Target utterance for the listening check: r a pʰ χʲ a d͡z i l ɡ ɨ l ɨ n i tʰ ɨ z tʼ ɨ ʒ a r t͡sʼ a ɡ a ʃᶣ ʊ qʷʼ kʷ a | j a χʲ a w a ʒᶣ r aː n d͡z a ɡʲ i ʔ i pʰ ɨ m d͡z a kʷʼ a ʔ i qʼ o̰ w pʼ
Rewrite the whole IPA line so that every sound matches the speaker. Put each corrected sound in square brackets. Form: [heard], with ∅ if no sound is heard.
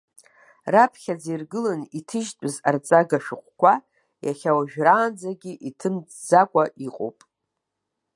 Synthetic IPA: r a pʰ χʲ a d͡z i [r] ɡ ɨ l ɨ n i tʰ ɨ [ʒ] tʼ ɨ [z] a r t͡sʼ a ɡ a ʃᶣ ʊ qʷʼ kʷ a | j a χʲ a w a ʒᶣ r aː n d͡z a ɡʲ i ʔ i [tʰ] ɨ m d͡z a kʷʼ a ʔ i qʼ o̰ w pʼ